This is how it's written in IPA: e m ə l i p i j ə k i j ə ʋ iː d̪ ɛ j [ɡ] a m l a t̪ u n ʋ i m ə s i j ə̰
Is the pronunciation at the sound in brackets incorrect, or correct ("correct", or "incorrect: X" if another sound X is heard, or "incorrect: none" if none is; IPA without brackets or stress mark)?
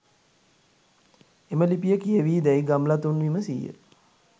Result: correct